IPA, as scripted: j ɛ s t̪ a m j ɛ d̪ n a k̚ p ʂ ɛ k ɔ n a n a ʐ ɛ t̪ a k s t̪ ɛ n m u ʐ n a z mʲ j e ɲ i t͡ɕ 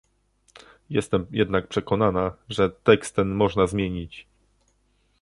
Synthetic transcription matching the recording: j ɛ s t̪ ɛ m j ɛ d̪ n a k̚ p ʂ ɛ k ɔ n a n a ʐ ɛ t̪ ɛ k s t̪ ɛ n m ɔ ʐ n a z mʲ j e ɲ i t͡ɕ

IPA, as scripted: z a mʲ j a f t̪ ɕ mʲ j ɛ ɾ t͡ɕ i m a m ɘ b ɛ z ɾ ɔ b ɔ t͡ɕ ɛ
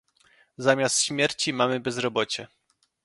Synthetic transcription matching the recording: z a mʲ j a s t̪ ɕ mʲ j ɛ ɾ t͡ɕ i m a m ɘ b ɛ z ɾ ɔ b ɔ t͡ɕ ɛ

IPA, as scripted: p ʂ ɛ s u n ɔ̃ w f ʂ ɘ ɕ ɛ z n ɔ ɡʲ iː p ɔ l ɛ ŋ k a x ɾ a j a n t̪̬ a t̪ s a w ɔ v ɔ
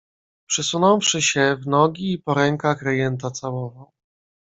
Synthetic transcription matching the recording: p ʂ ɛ s u n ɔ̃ w f ʂ ɘ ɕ ɛ v n ɔ ɡʲ iː p ɔ ɾ ɛ ŋ k a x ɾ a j ɛ n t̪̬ a t̪ s a w ɔ v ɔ

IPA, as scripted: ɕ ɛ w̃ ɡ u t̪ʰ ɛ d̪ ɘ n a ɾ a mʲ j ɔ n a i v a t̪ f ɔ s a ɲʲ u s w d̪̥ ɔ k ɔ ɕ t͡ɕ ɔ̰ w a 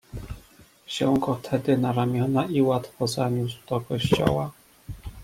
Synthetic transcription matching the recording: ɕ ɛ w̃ ɡ ɔ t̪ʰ ɛ d̪ ɘ n a ɾ a mʲ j ɔ n a i w a t̪ f ɔ z a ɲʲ u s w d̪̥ ɔ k ɔ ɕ t͡ɕ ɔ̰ w a

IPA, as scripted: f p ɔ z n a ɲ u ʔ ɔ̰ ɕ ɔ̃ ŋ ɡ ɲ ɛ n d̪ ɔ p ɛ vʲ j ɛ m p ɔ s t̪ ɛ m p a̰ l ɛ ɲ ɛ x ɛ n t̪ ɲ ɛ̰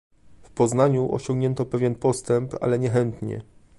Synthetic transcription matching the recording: f p ɔ z n a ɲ u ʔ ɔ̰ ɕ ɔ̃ ŋ ɡ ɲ ɛ n t̪ ɔ p ɛ vʲ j ɛ n p ɔ s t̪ ɛ m p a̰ l ɛ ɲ ɛ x ɛ n t̪ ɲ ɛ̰

